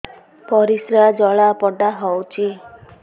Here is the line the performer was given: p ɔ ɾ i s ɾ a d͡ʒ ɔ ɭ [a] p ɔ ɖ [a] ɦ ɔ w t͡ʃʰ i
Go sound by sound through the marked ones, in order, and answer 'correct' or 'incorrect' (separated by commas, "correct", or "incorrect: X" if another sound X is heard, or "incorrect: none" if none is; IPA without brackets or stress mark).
correct, correct